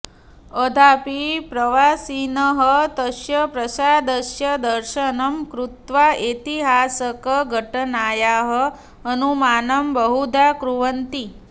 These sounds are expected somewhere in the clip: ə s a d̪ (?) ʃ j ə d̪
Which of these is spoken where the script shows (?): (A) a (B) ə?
B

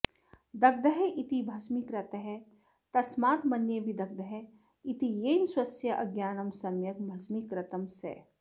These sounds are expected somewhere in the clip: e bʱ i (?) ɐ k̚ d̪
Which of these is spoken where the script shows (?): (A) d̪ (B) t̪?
A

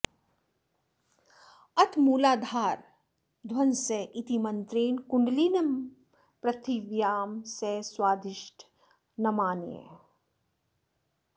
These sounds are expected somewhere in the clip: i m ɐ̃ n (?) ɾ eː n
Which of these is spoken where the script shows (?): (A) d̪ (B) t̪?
B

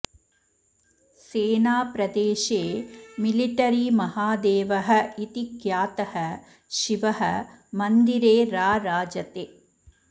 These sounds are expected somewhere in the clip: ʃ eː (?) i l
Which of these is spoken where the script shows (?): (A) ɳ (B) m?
B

